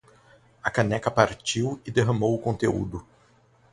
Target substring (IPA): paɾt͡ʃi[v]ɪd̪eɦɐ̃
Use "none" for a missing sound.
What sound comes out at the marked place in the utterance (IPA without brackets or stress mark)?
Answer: w